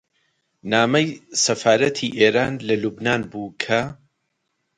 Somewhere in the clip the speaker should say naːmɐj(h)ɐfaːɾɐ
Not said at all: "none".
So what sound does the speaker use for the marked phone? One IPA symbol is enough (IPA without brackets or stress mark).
s